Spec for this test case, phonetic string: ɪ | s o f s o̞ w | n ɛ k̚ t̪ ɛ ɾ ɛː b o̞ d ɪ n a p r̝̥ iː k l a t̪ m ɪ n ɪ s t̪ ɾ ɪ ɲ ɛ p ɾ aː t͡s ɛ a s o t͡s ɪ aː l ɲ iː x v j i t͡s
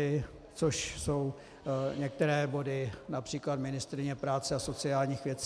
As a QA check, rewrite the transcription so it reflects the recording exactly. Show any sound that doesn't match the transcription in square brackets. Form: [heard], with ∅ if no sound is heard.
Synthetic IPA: ɪ | [t͡s] o [ʃ] s o̞ w | [ɲ] ɛ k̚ t̪ ɛ ɾ ɛː b o̞ d ɪ n a p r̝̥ iː k l a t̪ m ɪ n ɪ s t̪ ɾ ɪ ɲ ɛ p ɾ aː t͡s ɛ a s o t͡s ɪ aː l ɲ iː x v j [ɛ] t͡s